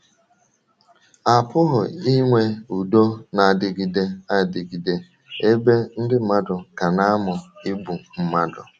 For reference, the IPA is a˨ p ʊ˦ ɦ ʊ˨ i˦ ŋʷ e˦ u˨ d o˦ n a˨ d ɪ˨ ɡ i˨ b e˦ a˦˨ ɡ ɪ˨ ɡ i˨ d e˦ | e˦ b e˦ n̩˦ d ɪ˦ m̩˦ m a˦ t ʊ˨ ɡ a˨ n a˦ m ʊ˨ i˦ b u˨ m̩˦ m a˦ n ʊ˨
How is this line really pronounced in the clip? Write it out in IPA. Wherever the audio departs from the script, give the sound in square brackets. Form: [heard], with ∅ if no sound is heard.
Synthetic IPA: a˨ p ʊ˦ ɦ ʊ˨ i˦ ŋʷ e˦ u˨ d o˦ n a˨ d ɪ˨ ɡ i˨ [d] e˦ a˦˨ [d] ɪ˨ ɡ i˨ d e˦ | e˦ b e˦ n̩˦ d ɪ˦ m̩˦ m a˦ [d] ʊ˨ [k] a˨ n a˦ m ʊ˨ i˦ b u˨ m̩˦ m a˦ [d] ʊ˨